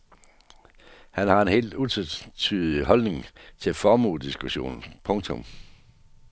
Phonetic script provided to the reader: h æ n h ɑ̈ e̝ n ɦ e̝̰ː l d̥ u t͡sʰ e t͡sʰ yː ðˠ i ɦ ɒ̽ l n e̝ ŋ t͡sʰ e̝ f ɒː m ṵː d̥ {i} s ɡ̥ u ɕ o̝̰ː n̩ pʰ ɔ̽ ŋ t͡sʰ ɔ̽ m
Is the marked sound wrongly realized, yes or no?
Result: no